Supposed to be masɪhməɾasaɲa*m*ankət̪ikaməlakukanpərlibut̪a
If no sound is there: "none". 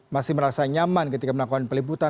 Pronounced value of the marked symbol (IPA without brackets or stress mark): m